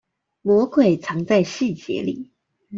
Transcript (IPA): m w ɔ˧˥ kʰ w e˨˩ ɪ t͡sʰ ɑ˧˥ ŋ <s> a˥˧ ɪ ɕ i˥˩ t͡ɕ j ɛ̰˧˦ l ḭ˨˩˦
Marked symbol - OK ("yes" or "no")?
no